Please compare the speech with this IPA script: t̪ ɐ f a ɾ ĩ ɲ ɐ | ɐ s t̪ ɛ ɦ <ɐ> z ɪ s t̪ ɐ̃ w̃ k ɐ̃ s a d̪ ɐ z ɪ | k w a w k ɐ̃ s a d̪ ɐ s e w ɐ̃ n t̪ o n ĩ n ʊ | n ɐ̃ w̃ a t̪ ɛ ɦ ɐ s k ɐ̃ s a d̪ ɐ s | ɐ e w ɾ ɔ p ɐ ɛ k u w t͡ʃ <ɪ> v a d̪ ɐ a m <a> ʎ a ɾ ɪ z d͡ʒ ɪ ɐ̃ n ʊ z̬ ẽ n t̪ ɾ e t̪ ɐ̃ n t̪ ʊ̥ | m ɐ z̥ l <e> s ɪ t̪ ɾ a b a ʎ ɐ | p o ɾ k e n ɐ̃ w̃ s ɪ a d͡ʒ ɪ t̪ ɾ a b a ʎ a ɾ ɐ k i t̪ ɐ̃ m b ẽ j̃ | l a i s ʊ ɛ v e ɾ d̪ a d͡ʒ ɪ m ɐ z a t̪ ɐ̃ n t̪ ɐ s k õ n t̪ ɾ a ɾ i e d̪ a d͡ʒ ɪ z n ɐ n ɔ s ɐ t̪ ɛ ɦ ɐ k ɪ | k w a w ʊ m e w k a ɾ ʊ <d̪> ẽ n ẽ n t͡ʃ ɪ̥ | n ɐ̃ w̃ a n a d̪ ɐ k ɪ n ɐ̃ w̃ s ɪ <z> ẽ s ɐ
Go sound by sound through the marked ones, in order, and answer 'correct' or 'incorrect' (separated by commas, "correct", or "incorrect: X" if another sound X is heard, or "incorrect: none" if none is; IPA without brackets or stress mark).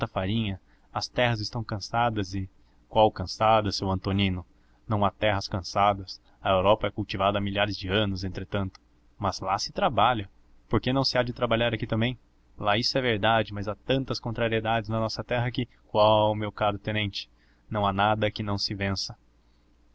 correct, incorrect: i, incorrect: i, incorrect: a, incorrect: t̪, incorrect: v